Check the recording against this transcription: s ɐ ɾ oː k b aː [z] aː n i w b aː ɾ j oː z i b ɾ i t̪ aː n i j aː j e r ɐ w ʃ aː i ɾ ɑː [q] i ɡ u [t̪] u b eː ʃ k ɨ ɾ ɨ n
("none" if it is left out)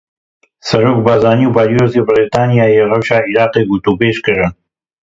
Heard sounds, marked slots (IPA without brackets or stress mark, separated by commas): z, q, t̪